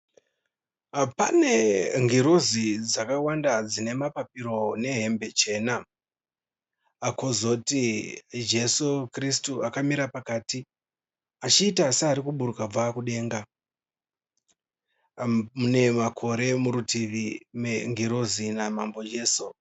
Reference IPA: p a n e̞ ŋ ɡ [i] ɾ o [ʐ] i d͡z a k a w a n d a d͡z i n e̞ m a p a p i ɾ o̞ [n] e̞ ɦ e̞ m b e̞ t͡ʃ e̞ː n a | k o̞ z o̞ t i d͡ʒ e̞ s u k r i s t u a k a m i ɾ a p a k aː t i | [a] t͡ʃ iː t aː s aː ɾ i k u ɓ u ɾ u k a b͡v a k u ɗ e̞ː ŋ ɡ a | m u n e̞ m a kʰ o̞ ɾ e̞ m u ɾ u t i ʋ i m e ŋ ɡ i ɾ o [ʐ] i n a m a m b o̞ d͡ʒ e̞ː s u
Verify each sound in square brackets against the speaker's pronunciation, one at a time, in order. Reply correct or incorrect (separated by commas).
correct, incorrect, correct, correct, incorrect